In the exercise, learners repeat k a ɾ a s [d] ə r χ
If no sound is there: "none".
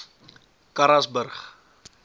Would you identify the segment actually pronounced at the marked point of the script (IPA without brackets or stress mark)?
b